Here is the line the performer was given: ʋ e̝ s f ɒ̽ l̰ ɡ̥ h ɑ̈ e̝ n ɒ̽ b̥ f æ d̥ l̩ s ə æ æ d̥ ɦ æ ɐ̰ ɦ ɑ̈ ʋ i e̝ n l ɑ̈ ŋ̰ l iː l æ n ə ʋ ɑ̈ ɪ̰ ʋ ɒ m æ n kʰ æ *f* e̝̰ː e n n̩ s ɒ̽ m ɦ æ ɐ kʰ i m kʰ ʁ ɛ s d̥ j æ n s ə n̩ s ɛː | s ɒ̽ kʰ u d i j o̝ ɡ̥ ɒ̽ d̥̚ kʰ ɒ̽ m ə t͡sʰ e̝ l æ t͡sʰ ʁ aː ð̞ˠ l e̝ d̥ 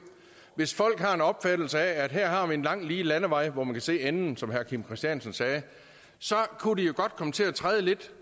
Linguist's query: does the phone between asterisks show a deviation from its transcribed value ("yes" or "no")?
yes